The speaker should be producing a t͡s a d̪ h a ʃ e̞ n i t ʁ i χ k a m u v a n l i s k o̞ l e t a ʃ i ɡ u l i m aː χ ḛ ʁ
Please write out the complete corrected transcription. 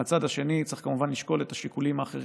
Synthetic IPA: a t͡s a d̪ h a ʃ e̞ n i t͡s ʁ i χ k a m u v a n l i ʃ k o̞ l e t a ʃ i k u l i m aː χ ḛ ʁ